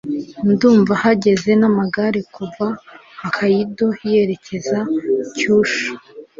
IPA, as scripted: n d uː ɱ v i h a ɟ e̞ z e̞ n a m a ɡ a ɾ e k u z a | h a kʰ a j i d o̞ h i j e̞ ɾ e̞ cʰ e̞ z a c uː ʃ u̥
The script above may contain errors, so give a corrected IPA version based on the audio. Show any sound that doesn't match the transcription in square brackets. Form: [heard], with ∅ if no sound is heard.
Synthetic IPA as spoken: n d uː ɱ v [a] h a ɟ e̞ z e̞ n a m a ɡ a ɾ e k u [v] a | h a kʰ a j i d o̞ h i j e̞ ɾ e̞ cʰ e̞ z a c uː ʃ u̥